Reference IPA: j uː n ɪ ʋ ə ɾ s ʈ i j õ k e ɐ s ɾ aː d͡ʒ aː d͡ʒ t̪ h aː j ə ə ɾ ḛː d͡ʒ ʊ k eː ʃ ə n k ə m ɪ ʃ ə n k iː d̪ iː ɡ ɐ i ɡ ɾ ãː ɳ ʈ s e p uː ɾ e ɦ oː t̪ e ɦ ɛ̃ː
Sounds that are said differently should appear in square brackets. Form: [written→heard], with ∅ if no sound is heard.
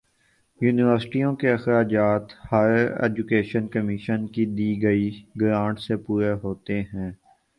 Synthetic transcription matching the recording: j uː n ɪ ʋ ə ɾ s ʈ i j õ k e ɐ [s→x] ɾ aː d͡ʒ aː [d͡ʒ→∅] t̪ h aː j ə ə ɾ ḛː d͡ʒ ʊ k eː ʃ ə n k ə m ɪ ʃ ə n k [iː→i] d̪ iː ɡ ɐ i ɡ ɾ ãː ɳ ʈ s e p uː ɾ e ɦ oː t̪ e ɦ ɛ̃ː